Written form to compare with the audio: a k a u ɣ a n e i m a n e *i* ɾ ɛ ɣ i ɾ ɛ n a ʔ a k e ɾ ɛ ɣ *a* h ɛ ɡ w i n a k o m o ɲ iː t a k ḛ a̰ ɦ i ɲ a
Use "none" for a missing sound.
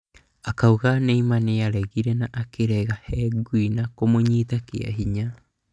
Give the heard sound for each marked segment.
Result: a, a

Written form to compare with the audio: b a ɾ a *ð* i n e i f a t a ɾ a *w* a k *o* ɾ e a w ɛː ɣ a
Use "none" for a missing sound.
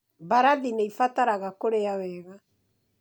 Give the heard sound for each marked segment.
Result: ð, ɣ, o

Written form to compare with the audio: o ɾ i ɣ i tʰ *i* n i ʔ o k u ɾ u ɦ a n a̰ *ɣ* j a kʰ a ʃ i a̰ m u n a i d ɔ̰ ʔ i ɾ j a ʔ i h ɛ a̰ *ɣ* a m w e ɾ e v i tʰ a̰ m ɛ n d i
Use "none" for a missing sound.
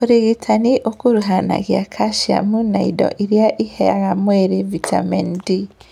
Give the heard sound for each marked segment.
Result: a, ɣ, ɣ

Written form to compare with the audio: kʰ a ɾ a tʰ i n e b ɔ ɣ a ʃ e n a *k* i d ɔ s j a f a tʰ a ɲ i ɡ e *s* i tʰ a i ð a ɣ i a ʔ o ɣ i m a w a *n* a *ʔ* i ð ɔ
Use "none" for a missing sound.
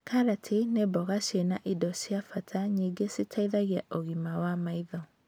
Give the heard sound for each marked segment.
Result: ʔ, s, m, none

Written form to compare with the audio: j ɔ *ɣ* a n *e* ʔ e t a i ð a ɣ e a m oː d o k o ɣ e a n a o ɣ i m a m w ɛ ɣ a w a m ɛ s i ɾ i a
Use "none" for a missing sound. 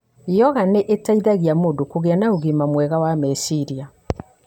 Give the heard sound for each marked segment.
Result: ɣ, e

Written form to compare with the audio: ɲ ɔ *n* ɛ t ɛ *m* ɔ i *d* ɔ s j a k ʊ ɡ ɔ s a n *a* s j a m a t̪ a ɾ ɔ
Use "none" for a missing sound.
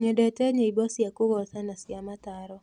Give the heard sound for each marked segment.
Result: d, ɲ, b, a

